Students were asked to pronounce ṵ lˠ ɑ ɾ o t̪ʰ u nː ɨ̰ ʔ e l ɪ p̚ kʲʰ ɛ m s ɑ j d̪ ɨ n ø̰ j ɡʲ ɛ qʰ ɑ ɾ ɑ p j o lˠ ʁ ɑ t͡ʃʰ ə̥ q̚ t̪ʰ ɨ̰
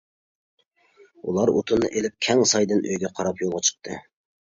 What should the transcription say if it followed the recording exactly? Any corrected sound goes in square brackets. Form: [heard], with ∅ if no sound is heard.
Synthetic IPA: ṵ lˠ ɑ ɾ o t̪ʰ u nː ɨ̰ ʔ e l ɪ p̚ kʲʰ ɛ [ŋ] s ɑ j d̪ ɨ n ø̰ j ɡʲ ɛ qʰ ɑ ɾ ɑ p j o lˠ ʁ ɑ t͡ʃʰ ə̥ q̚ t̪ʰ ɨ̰